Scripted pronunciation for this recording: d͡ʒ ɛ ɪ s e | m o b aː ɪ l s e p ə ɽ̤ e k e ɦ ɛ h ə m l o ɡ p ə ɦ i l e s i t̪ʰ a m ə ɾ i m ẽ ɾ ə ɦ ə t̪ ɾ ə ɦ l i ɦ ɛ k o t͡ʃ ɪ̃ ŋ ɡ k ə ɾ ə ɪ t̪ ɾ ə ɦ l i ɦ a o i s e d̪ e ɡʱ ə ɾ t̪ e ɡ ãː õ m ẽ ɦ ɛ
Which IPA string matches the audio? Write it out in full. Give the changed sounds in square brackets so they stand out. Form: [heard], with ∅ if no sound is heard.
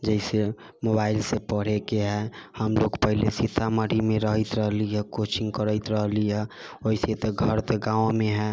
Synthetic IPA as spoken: d͡ʒ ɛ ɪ s e | m o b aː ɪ l s e p ə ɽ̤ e k e ɦ ɛ h ə m l o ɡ p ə ɦ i l e s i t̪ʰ a m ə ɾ i m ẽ ɾ ə ɦ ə t̪ ɾ ə ɦ l i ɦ ɛ k o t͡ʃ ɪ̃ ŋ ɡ k ə ɾ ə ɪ t̪ ɾ ə ɦ l i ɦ [ɛ] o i s e [t̪] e ɡʱ ə ɾ t̪ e ɡ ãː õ m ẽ ɦ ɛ